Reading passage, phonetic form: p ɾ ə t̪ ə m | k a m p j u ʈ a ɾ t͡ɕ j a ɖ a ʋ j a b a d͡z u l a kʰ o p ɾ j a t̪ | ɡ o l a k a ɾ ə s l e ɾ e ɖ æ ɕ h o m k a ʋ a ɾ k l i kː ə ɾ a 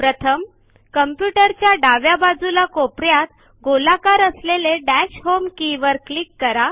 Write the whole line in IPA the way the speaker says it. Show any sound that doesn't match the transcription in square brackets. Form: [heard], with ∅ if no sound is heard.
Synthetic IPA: p ɾ ə [t̪ʰ] ə m | k [ə] m p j u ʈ [ə] ɾ t͡ɕ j a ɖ a ʋ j a b a d͡z u l a [k] o p ɾ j a t̪ | ɡ o l a k a ɾ ə s l e [l] e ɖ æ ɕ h o m k [i] ʋ [ə] ɾ k l i kː ə ɾ a